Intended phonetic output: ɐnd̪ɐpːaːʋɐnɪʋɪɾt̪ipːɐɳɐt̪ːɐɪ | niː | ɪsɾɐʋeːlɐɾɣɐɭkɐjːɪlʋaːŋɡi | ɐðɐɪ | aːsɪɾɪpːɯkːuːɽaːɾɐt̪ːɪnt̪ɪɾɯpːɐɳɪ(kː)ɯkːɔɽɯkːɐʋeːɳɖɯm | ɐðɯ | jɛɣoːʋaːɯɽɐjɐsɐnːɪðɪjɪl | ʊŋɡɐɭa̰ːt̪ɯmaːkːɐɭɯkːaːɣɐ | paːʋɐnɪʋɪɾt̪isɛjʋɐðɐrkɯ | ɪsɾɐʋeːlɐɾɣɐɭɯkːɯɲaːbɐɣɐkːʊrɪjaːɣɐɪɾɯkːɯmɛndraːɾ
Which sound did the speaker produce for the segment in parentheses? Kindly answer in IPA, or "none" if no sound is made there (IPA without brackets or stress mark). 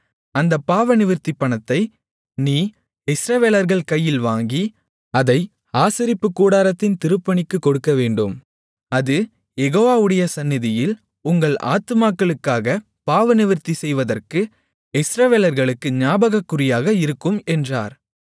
kː